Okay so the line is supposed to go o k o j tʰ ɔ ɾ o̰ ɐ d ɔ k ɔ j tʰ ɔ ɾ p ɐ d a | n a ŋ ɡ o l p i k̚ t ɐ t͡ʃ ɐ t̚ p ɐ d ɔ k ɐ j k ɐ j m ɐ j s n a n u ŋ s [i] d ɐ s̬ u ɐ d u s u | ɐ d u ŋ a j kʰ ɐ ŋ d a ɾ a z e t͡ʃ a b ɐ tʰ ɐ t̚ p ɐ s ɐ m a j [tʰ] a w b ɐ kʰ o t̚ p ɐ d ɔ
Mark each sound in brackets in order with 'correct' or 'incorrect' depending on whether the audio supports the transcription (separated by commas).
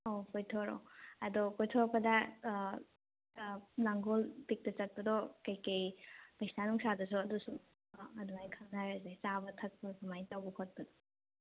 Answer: incorrect, incorrect